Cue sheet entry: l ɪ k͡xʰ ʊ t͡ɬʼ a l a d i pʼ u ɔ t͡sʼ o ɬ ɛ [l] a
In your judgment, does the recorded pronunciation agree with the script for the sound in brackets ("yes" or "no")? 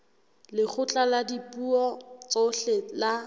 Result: yes